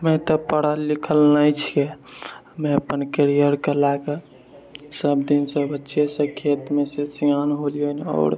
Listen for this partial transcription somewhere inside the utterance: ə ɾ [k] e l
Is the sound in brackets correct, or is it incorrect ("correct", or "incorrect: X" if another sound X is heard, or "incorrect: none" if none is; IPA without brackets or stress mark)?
correct